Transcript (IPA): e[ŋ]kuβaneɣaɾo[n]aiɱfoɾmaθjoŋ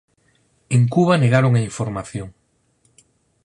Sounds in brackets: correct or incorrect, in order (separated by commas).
correct, incorrect